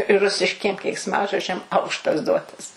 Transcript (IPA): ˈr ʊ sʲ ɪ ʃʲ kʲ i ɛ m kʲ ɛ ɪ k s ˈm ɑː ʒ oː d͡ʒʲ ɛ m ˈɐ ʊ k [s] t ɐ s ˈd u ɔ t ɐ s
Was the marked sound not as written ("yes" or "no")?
yes